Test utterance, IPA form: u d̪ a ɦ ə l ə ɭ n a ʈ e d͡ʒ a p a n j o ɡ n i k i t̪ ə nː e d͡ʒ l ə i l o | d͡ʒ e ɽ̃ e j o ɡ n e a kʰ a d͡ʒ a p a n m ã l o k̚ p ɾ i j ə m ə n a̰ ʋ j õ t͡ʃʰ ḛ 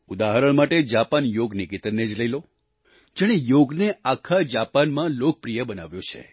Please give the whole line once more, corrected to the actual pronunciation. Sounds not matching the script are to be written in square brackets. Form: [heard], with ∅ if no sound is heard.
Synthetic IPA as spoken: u d̪ a ɦ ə [ɾ] ə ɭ [m] a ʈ e d͡ʒ a p a n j o ɡ n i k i t̪ ə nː e d͡ʒ l ə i l o | d͡ʒ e ɽ̃ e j o ɡ n e a kʰ a d͡ʒ a p a n m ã l o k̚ p ɾ i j ə [b] ə n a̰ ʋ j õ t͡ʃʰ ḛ